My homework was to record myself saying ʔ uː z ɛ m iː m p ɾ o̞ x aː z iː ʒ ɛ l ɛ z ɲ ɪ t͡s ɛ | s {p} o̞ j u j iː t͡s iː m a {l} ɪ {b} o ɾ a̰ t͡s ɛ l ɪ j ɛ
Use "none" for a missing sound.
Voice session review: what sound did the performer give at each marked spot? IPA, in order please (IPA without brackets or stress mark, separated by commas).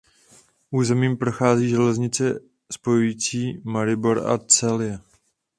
p, ɾ, b